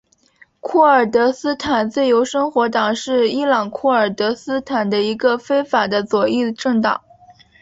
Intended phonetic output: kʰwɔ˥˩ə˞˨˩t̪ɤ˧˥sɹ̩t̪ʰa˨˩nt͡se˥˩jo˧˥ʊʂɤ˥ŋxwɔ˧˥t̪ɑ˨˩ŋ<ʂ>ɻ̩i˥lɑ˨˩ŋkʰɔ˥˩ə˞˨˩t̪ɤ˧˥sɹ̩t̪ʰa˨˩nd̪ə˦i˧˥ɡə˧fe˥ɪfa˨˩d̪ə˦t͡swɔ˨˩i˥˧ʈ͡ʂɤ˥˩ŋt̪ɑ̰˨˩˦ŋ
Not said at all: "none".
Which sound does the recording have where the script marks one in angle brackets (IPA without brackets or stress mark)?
ʂ